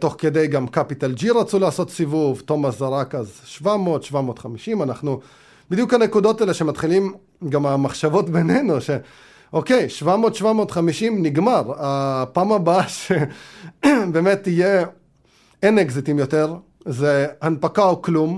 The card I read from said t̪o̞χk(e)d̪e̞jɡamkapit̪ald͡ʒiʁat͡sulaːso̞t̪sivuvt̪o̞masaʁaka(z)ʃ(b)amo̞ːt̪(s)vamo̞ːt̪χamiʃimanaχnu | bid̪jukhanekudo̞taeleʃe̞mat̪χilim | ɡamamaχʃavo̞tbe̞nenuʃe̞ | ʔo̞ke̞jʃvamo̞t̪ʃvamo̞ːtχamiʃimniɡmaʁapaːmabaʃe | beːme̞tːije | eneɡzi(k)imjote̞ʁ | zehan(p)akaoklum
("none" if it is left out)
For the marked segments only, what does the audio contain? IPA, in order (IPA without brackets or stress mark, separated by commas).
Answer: e, z, v, ʃ, t, p